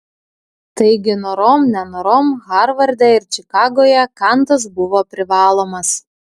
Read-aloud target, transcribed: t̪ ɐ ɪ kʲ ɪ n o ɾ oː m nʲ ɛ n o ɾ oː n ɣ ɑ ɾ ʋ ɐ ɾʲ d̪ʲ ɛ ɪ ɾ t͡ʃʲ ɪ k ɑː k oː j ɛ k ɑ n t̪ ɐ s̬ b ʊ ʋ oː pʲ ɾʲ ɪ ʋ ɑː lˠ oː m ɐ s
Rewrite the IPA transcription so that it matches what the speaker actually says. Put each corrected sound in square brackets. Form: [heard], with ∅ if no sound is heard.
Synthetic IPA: t̪ ɐ ɪ [ɡʲ] ɪ n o ɾ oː m nʲ ɛ n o ɾ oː [m] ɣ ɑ ɾ ʋ ɐ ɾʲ d̪ʲ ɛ ɪ ɾ t͡ʃʲ ɪ k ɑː [ɡ] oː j ɛ k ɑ n t̪ ɐ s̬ b ʊ ʋ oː pʲ ɾʲ ɪ ʋ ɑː lˠ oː m ɐ s

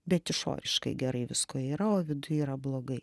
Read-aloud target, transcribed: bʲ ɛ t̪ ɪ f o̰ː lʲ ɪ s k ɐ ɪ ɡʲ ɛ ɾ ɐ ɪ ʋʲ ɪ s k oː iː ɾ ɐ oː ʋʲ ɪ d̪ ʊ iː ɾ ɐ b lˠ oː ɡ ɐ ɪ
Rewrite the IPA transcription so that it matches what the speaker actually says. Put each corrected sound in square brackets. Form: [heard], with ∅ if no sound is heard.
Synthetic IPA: bʲ ɛ t̪ ɪ [ʃ] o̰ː [ɾʲ] ɪ [ʃ] k ɐ ɪ ɡʲ ɛ ɾ ɐ ɪ ʋʲ ɪ s k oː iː ɾ ɐ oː ʋʲ ɪ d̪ ʊ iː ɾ ɐ b lˠ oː ɡ ɐ ɪ

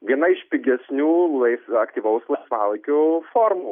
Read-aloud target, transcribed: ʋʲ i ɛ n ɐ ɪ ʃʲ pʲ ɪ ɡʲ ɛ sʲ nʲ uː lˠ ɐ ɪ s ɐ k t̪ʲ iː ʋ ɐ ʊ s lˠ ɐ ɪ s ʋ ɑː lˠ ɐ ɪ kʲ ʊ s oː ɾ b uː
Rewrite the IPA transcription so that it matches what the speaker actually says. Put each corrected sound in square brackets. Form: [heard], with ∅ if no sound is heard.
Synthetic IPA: ʋʲ i ɛ n ɐ ɪ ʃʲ pʲ ɪ ɡʲ ɛ sʲ nʲ uː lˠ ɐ ɪ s ɐ k t̪ʲ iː ʋ ɐ ʊ s lˠ ɐ ɪ s ʋ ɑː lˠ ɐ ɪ kʲ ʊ [f] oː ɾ [m] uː

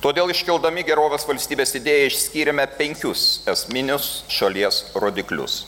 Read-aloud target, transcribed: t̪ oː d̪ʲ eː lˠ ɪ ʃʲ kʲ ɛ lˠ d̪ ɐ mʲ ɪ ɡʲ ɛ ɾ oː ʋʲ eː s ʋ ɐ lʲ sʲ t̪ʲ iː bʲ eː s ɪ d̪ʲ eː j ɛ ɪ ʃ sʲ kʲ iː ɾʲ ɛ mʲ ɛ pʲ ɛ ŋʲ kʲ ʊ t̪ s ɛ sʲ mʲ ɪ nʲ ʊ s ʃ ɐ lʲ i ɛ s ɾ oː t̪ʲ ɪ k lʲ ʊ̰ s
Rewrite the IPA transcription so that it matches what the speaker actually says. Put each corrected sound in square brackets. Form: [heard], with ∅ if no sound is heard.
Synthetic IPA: t̪ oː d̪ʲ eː lˠ ɪ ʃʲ kʲ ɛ lˠ d̪ ɐ mʲ ɪ ɡʲ ɛ ɾ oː ʋʲ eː s ʋ ɐ lʲ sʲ t̪ʲ iː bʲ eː s ɪ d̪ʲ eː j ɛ ɪ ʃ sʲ kʲ iː ɾʲ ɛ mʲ ɛ pʲ ɛ ŋʲ kʲ ʊ [∅] s ɛ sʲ mʲ ɪ nʲ ʊ s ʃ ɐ lʲ i ɛ s ɾ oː [d̪ʲ] ɪ k lʲ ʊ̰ s

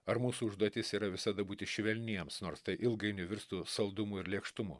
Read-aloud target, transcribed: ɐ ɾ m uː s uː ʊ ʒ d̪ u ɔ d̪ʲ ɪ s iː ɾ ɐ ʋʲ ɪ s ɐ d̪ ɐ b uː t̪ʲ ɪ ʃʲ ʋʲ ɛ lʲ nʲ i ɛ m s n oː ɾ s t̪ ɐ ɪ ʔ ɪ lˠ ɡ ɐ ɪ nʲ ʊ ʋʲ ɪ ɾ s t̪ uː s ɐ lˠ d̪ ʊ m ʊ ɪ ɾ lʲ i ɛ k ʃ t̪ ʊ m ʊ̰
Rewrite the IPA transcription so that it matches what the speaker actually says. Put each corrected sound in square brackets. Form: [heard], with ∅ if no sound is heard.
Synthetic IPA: ɐ ɾ m uː s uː ʊ ʒ d̪ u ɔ [t̪ʲ] ɪ s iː ɾ ɐ ʋʲ ɪ s ɐ d̪ ɐ b uː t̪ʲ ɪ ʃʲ ʋʲ ɛ lʲ nʲ i ɛ m s n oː ɾ s t̪ ɐ ɪ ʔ ɪ lˠ ɡ ɐ ɪ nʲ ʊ ʋʲ ɪ ɾ s t̪ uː s ɐ lˠ d̪ ʊ m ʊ ɪ ɾ lʲ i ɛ k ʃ t̪ ʊ m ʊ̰

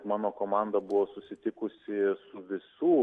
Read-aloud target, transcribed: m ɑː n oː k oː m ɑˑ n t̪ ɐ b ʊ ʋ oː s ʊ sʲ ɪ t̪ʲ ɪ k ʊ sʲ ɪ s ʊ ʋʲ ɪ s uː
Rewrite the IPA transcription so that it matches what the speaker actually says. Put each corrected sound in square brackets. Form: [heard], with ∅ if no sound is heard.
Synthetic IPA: m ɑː n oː k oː m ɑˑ n [d̪] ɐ b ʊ ʋ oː s ʊ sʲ ɪ t̪ʲ ɪ k ʊ sʲ ɪ s ʊ ʋʲ ɪ s uː

